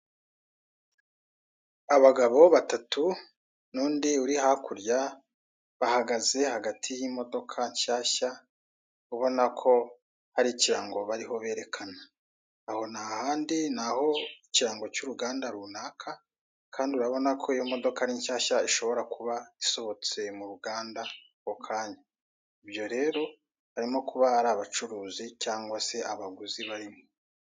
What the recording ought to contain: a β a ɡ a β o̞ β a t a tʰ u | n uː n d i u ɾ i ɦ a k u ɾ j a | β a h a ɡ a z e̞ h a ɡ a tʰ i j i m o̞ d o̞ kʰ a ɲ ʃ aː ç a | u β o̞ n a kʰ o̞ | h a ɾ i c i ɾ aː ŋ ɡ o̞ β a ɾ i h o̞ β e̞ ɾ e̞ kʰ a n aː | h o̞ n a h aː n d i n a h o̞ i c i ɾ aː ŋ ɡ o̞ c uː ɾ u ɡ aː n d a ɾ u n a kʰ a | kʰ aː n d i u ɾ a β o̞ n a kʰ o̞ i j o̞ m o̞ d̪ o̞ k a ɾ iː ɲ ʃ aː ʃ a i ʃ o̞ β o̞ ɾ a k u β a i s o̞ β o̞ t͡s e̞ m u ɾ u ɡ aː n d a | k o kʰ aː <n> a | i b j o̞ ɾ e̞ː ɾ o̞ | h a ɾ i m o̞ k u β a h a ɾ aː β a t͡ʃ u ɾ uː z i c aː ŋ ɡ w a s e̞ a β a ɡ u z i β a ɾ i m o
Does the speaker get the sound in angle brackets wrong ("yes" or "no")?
yes